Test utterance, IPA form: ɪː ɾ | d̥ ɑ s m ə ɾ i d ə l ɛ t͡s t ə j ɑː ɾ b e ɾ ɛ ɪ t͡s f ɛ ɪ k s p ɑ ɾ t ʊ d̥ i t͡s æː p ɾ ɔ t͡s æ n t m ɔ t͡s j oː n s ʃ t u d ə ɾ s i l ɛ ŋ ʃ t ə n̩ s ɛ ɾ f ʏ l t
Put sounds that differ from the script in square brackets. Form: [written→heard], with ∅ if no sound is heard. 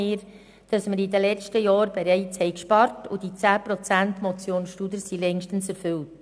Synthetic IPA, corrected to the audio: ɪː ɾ | d̥ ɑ s m ə ɾ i d ə l ɛ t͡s t ə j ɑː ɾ b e ɾ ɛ ɪ t͡s [f→h] ɛ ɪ k [s→ʃ] p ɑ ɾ t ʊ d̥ i t͡s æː p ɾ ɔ t͡s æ n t m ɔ t͡s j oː n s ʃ t u d ə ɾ s i l ɛ ŋ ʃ t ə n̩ s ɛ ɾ f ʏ l t